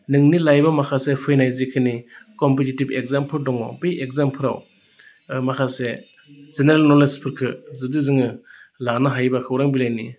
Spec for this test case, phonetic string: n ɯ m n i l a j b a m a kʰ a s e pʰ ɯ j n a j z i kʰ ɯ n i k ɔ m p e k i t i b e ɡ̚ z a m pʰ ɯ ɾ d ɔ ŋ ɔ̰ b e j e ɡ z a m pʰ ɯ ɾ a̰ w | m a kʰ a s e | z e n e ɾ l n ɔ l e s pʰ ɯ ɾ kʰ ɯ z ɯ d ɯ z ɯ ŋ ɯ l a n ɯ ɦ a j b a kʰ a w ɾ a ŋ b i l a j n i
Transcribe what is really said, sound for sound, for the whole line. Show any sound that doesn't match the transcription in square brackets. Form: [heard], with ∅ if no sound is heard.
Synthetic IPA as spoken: n ɯ [ŋ] n i l a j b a m a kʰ a s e pʰ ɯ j n a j z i kʰ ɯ n i k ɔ m p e [t] i t i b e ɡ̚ z a m pʰ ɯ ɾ d ɔ ŋ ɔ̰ b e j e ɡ z a m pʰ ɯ ɾ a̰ w | m a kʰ a s e | z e n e ɾ l n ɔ l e s pʰ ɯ ɾ kʰ ɯ z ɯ d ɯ z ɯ ŋ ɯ l a n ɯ ɦ a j b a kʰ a w ɾ a ŋ b i l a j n i